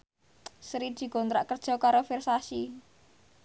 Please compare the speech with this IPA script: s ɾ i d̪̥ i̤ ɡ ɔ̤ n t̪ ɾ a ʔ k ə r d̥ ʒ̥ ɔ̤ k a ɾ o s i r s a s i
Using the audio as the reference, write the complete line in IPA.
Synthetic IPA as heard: s ɾ i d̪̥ i̤ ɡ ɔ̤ n t̪ ɾ a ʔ k ə r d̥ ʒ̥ ɔ̤ k a ɾ o f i r s a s i